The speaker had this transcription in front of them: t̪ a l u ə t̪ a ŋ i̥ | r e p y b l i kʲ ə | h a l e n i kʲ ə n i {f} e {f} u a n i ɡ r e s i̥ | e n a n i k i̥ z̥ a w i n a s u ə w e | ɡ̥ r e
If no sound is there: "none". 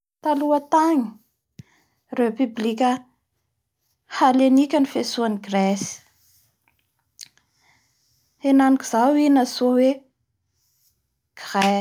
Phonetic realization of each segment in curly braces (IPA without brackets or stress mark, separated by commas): f, s